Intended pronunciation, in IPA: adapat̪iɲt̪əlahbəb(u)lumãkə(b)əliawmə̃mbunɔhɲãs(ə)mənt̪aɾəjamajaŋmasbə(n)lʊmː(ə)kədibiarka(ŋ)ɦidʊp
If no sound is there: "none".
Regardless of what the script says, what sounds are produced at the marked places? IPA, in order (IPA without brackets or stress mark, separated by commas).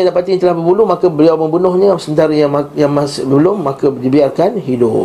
u, b, ə, none, a, n